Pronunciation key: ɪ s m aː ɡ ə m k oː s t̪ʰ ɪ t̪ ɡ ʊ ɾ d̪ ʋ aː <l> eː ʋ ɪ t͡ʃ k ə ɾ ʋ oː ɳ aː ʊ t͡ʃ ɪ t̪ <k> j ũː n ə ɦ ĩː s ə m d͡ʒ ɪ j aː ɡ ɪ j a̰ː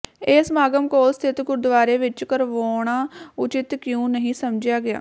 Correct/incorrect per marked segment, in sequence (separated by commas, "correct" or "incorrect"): incorrect, correct